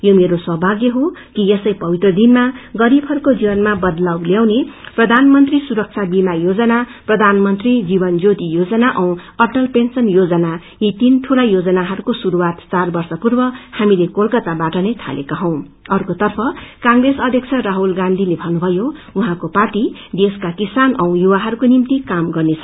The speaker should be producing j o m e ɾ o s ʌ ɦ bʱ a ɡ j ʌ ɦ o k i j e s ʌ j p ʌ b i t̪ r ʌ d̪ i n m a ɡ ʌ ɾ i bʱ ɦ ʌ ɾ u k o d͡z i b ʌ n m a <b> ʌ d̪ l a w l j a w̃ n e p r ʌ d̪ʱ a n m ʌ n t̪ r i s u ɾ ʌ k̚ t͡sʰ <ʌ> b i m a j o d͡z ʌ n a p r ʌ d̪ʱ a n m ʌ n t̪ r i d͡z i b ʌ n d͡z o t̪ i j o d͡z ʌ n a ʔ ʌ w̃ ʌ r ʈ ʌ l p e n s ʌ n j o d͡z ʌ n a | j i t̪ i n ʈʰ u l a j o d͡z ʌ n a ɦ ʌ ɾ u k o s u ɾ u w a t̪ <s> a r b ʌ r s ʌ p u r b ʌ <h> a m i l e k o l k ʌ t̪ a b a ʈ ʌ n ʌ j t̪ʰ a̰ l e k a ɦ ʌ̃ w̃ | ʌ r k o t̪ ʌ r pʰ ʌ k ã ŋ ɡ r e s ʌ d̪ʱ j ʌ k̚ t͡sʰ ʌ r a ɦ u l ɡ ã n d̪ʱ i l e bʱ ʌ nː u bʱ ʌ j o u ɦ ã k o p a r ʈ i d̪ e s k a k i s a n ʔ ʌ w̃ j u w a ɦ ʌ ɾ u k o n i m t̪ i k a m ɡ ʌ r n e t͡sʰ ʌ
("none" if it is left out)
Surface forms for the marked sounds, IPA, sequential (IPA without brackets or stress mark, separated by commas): b, a, t͡s, h